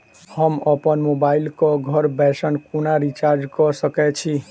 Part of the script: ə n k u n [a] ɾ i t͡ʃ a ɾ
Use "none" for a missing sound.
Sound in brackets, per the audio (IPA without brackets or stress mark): a